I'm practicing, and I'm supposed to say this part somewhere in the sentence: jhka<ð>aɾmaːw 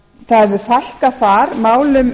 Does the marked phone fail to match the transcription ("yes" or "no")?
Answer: yes